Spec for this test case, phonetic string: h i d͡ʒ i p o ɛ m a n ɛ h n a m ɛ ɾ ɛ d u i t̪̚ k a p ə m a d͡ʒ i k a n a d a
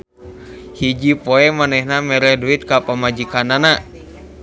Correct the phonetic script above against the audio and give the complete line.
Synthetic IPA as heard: h i d͡ʒ i p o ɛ m a n ɛ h n a m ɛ ɾ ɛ d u i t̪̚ k a p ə m a d͡ʒ i k a n a n a